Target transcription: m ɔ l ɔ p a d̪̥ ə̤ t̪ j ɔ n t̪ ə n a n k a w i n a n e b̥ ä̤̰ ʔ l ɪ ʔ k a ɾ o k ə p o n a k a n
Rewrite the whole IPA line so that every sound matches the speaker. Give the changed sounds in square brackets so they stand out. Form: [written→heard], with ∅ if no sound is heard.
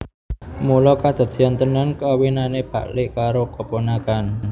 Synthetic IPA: m [ɔ→u] l ɔ [p→k] a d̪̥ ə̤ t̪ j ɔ n t̪ ə n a n k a w i n a n e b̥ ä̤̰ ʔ l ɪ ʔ k a ɾ o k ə p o n a k a n